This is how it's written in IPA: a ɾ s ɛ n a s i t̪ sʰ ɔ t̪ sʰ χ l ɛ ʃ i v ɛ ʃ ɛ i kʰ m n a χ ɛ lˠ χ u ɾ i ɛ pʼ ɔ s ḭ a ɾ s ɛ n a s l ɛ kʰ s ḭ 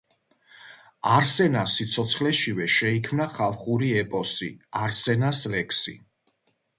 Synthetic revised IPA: a ɾ s ɛ n a s i t̪ sʰ ɔ t̪ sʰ χ l ɛ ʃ i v ɛ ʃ ɛ i kʰ m n a χ a lˠ χ u ɾ i ɛ pʼ ɔ s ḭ a ɾ s ɛ n a s l ɛ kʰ s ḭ